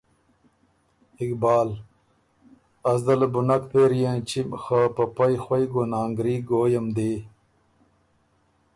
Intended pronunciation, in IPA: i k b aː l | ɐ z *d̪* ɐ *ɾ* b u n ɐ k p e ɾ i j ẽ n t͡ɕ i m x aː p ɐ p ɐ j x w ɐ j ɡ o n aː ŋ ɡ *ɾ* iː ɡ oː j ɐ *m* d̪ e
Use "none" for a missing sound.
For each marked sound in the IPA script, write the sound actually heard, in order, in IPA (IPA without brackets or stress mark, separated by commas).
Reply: d̪, l, ɾ, m